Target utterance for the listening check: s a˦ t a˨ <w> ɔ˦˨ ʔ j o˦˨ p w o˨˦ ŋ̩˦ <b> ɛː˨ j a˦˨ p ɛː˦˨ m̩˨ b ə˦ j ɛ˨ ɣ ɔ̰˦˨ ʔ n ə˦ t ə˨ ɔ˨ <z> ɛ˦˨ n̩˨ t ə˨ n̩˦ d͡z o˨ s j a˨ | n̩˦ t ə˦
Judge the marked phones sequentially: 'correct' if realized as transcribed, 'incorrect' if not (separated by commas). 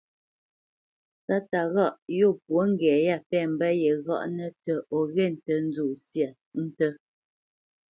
incorrect, incorrect, incorrect